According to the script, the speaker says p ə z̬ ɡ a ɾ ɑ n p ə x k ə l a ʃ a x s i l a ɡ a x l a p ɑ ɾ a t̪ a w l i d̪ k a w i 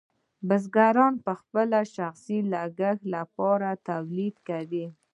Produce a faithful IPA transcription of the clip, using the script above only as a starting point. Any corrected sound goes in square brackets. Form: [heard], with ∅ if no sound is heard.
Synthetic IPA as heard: [b] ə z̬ ɡ a ɾ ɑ n p ə x [p] ə l a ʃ a x s i l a ɡ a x l a p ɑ ɾ a t̪ a w l i d̪ k a w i